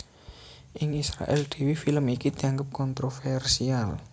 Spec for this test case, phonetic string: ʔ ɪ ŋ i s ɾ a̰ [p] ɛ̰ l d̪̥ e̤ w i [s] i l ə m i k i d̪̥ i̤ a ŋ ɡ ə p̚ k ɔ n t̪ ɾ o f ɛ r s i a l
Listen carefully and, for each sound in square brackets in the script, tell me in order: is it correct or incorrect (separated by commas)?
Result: incorrect, incorrect